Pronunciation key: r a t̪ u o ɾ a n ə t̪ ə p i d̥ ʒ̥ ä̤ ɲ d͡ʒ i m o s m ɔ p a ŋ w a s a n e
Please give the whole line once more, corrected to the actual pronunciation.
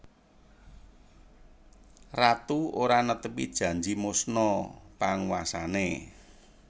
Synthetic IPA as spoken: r a t̪ u o ɾ a n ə t̪ ə p i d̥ ʒ̥ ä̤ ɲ d͡ʒ i m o s n ɔ p a ŋ w a s a n e

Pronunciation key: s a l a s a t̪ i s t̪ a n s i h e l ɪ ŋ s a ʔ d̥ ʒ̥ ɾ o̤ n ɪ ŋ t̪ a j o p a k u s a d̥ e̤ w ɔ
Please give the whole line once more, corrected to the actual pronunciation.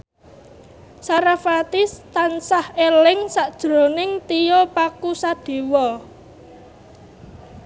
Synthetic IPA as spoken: s a ɾ a f a t̪ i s t̪ a n s a h e l ɪ ŋ s a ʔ d̥ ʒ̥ ɾ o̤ n ɪ ŋ t̪ i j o p a k u s a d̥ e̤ w ɔ

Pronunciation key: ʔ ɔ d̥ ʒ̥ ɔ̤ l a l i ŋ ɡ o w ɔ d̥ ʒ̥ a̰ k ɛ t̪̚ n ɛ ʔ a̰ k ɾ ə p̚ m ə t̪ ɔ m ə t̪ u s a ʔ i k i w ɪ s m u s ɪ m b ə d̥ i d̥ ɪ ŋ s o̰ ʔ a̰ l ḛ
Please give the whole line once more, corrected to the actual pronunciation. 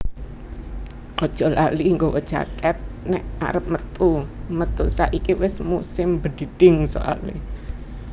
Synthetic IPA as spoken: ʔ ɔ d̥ ʒ̥ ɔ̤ l a l i ŋ ɡ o w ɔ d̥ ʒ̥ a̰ k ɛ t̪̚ n ɛ ʔ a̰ ɾ ə p̚ m ə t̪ u m ə t̪ u s a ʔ i k i w ɪ s m u s ɪ m b ə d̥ i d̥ ɪ ŋ s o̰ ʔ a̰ l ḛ

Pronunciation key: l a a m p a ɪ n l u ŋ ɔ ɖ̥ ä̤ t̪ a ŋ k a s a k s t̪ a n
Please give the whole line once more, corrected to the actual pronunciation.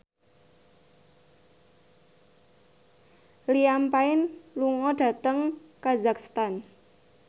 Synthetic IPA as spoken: l i a m p a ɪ n l u ŋ ɔ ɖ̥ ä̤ t̪ ə ŋ k a z a k s t̪ a n

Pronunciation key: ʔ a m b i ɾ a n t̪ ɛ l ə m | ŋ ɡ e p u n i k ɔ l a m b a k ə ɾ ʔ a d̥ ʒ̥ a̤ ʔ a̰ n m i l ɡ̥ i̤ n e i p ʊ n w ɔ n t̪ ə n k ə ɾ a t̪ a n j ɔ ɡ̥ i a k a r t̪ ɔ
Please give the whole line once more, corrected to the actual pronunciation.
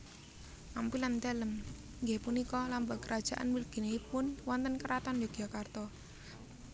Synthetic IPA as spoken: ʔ a m p i l a n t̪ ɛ l ə m | ŋ ɡ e p u n i k ɔ l a m b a k ə ɾ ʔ a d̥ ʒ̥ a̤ ʔ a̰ n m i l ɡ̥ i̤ n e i p ʊ n w ɔ n t̪ ə n k ə ɾ a t̪ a n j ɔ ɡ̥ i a k a r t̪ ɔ

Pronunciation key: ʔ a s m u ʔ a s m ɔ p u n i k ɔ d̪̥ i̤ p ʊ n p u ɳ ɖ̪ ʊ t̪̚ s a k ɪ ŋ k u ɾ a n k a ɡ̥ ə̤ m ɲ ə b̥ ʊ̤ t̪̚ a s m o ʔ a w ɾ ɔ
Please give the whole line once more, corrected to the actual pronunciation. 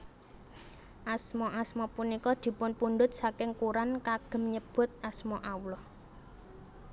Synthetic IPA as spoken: ʔ a s m ɔ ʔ a s m ɔ p u n i k ɔ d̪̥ i̤ p ʊ n p u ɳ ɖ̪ ʊ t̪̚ s a k ɪ ŋ k u ɾ a n k a ɡ̥ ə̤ m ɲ ə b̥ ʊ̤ t̪̚ a s m ɔ ʔ a w l ɔ

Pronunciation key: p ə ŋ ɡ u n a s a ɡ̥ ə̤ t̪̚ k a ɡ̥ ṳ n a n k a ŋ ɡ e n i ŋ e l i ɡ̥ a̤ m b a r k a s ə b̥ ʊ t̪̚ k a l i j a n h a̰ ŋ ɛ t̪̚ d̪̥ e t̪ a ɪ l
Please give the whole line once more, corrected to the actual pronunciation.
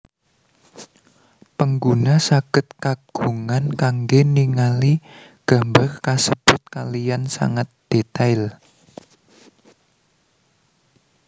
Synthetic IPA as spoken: p ə ŋ ɡ u n a s a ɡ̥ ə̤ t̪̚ k a ɡ̥ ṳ ŋ a n k a ŋ ɡ e n i ŋ a l i ɡ̥ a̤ m b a r k a s ə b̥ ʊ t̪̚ k a l i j a n s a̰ ŋ a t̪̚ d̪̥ e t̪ a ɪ l

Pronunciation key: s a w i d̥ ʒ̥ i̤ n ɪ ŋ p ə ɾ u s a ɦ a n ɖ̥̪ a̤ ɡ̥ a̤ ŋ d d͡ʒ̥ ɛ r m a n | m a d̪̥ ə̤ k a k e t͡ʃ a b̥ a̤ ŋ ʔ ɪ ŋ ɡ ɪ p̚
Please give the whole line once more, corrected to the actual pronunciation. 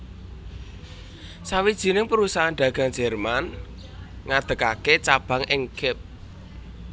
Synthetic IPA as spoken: s a w i d̥ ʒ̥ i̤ n ɪ ŋ p ə ɾ u s a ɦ a n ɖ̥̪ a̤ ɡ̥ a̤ ŋ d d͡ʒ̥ ɛ r m a n | ŋ a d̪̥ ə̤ k a k e t͡ʃ a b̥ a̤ ŋ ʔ ɪ ŋ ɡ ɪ p̚

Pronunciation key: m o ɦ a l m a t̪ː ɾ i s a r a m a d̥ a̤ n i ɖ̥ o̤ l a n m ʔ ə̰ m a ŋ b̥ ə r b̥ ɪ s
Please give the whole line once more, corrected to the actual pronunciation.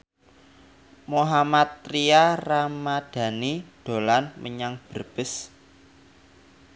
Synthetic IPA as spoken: m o ɦ a m a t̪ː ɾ i a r a m a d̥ a̤ n i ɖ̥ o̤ l a n m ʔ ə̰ ɲ a ŋ b̥ ə r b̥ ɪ s

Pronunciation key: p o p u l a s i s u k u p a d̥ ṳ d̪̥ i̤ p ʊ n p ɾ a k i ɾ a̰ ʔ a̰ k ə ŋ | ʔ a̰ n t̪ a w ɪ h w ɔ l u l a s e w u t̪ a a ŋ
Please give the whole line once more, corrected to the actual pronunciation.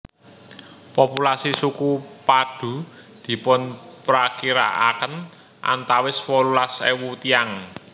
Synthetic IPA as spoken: p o p u l a s i s u k u p a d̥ ṳ d̪̥ i̤ p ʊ n p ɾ a k i ɾ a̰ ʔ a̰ k ə n | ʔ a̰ n t̪ a w ɪ s w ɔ l u l a s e w u t̪ i a ŋ

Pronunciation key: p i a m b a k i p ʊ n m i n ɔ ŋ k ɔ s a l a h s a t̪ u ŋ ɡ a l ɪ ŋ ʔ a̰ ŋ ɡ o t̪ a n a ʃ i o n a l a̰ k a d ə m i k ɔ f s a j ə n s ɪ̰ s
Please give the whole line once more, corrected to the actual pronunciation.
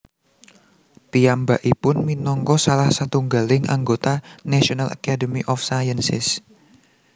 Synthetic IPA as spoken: p i a m b a ʔ i p ʊ n m i n ɔ ŋ k ɔ s a l a h s a t̪ u ŋ ɡ a l ɪ ŋ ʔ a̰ ŋ ɡ o t̪ a n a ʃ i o n a l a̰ k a d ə m i ʔ ɔ f s a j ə n s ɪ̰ s

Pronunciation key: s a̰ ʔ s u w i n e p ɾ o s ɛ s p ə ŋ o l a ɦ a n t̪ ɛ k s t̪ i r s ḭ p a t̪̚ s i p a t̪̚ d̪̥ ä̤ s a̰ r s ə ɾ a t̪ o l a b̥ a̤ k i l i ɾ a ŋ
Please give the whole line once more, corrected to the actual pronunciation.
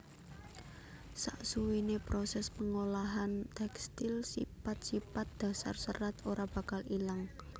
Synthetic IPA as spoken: s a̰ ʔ s u w i n e p ɾ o s ɛ s p ə ŋ o l a ɦ a n t̪ ɛ k s t̪ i l s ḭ p a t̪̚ s i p a t̪̚ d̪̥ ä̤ s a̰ r s ə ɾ a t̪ o ɾ a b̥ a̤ k a l i l a ŋ

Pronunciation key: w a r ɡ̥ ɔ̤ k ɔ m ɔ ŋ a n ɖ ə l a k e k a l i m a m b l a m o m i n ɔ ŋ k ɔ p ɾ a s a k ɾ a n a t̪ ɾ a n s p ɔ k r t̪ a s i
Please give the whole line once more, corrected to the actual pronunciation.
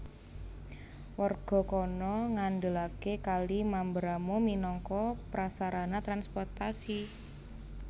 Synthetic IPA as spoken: w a r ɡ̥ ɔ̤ k ɔ n ɔ ŋ a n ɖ ə l a k e k a l i m a m b ɾ a m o m i n ɔ ŋ k ɔ p ɾ a s a ɾ a n a t̪ ɾ a n s p ɔ r t̪ a s i

